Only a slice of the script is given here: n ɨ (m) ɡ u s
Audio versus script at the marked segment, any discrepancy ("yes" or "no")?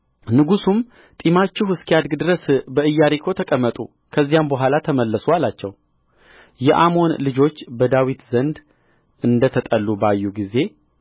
yes